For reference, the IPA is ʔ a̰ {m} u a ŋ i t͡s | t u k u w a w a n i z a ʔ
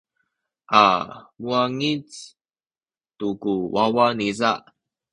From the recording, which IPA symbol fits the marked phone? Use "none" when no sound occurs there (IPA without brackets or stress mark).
m